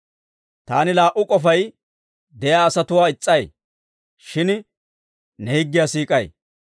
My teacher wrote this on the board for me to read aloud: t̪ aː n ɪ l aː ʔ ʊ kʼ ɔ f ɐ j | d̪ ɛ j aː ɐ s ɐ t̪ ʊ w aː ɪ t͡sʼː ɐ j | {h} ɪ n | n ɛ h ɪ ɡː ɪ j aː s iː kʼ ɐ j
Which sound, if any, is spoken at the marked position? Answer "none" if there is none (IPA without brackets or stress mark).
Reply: ʃ